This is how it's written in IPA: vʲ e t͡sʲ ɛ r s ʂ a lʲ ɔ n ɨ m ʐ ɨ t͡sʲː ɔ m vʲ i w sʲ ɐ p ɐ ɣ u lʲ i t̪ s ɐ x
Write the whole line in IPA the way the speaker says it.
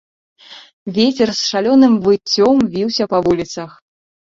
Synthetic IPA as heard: vʲ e t͡sʲ ɛ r s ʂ a lʲ ɔ n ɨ m v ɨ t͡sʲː ɔ m vʲ i w sʲ ɐ p ɐ v u lʲ i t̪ s ɐ x